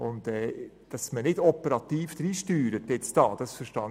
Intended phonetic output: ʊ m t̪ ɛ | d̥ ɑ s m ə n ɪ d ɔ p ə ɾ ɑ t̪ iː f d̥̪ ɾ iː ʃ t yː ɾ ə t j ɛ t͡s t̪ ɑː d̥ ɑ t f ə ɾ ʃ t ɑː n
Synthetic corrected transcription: ʊ n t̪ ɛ | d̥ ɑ s m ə n ɪ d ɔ p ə ɾ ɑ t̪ iː f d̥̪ ɾ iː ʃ t yː ɾ ə t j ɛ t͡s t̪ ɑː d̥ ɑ s f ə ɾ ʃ t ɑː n